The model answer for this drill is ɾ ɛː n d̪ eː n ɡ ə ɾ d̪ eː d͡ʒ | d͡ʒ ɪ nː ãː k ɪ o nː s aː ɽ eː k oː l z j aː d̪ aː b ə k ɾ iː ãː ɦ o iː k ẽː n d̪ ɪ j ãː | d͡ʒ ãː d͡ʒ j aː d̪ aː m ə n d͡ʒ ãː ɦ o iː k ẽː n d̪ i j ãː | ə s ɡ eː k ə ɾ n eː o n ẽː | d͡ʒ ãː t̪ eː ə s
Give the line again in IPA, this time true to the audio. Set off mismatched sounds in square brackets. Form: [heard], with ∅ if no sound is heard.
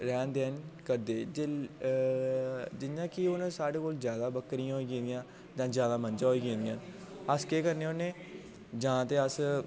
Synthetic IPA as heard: ɾ ɛː n d̪ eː n [k] ə ɾ d̪ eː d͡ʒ | d͡ʒ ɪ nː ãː k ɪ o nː s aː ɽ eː k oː l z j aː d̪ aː b ə k ɾ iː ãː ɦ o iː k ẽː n d̪ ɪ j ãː | d͡ʒ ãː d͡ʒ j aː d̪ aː m ə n d͡ʒ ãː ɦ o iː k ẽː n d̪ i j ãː | ə s [k] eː k ə ɾ n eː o n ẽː | d͡ʒ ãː t̪ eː ə s